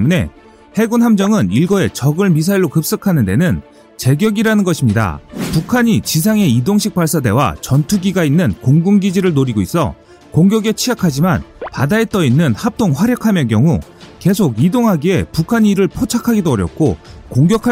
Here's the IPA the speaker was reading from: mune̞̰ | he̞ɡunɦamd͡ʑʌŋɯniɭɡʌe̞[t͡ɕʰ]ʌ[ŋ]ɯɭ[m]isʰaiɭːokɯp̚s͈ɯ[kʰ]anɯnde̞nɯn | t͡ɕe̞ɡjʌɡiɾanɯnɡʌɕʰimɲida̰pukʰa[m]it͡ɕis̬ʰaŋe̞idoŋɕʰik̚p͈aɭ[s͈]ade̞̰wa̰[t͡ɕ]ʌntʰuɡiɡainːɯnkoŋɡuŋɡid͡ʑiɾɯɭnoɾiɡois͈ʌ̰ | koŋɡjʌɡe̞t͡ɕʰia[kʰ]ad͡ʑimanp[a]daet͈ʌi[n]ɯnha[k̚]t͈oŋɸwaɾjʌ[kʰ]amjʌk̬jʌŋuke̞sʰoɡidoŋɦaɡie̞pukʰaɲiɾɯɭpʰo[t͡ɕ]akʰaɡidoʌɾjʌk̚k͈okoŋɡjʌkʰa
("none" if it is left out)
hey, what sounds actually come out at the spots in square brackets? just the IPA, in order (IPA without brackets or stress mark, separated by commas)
t͡ɕ, ɡ, m, kʰ, ɲ, s͈, t͡ɕ, kʰ, a, nː, p̚, kʰ, t͡ɕʰ